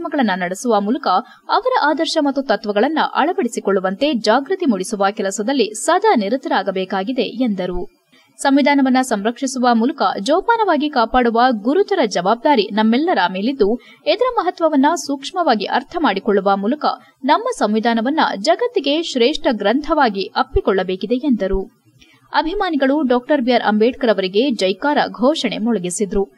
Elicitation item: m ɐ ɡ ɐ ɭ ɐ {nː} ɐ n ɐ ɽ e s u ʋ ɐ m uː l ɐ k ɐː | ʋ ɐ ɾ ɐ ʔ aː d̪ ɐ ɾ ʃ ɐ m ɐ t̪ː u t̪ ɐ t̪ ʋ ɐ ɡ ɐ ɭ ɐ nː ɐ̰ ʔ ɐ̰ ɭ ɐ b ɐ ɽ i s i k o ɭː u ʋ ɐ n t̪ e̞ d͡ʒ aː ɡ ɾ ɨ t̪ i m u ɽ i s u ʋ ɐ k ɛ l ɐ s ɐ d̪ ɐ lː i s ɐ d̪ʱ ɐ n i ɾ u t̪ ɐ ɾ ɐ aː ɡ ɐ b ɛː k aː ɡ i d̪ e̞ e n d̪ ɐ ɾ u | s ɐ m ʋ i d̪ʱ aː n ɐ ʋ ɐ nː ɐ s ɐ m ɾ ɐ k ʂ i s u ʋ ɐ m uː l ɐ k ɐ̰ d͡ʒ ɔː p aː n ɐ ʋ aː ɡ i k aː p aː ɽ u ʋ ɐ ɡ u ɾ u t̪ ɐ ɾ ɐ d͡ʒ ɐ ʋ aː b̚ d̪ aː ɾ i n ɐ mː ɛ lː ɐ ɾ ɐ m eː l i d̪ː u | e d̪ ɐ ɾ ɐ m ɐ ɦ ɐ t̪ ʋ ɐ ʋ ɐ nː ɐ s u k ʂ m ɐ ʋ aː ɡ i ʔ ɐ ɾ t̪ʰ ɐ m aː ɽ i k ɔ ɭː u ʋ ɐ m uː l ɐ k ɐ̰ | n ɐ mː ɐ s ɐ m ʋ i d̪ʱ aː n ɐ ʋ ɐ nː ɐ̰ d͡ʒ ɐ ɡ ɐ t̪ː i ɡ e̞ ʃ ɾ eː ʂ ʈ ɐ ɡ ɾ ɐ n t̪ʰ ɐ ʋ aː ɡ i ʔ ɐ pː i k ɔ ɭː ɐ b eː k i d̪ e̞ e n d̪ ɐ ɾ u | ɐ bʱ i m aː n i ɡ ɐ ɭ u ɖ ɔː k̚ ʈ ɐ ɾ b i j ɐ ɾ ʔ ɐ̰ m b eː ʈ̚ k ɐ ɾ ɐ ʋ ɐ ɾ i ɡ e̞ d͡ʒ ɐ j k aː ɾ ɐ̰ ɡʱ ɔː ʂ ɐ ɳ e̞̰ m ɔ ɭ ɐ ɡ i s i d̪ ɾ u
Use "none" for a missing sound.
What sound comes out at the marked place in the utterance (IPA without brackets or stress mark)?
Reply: nː